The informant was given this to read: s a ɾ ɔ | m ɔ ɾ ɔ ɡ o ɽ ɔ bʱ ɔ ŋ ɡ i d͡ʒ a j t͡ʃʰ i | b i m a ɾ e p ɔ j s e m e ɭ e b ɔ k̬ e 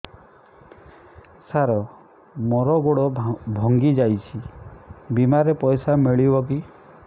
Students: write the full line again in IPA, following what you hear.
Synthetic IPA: s a ɾ ɔ | m ɔ ɾ ɔ ɡ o ɽ ɔ bʱ ɔ ŋ ɡ i d͡ʒ a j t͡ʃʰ i | b i m a ɾ e p ɔ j s a m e ɭ i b ɔ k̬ i